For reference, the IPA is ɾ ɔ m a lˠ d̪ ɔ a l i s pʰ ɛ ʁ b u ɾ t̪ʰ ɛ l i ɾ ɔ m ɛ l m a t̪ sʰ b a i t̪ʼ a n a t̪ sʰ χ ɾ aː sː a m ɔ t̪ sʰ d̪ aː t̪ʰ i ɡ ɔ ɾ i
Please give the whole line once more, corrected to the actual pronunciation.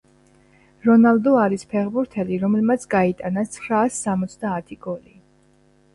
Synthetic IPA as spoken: ɾ ɔ n a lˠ d̪ ɔ a ɾ i s pʰ ɛ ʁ b u ɾ t̪ʰ ɛ l i ɾ ɔ m ɛ l m a t̪ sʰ ɡ a i t̪ʼ a n a t̪ sʰ χ ɾ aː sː a m ɔ t̪ sʰ d̪ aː t̪ʰ i ɡ ɔ l i